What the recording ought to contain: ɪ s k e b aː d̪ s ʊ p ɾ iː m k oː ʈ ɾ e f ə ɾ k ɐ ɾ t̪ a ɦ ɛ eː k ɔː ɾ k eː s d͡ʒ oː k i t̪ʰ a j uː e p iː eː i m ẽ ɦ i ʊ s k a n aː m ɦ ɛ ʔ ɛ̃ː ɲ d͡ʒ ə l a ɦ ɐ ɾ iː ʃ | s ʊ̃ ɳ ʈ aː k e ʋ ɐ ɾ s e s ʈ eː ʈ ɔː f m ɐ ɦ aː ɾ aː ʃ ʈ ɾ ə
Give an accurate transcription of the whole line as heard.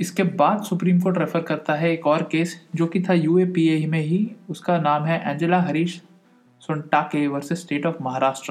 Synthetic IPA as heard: ɪ s k e b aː d̪ s ʊ p ɾ iː m k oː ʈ ɾ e f ə ɾ k ɐ ɾ t̪ a ɦ ɛ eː k ɔː ɾ k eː s d͡ʒ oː k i t̪ʰ a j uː e p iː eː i m ẽ ɦ i ʊ s k a n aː m ɦ ɛ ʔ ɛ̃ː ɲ d͡ʒ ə l a ɦ ɐ ɾ iː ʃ | s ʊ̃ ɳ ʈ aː k e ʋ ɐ ɾ s e s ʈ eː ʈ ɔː f m ɐ ɦ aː ɾ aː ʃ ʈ ɾ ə